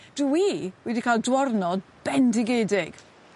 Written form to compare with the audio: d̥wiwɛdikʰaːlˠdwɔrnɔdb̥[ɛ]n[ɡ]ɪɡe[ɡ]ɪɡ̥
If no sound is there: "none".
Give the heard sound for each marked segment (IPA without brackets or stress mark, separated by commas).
ɛ, d, d